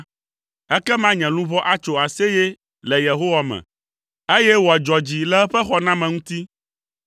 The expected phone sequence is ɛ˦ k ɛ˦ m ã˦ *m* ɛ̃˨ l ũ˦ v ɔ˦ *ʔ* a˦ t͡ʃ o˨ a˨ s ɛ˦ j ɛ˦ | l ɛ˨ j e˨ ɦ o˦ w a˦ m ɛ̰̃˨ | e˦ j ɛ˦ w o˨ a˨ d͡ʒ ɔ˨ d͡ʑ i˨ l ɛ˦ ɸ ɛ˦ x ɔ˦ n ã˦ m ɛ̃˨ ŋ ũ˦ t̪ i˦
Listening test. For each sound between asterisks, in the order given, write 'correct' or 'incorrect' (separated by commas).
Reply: incorrect, correct